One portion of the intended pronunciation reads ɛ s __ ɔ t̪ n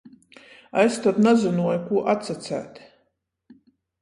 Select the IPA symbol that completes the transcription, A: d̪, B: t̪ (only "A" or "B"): B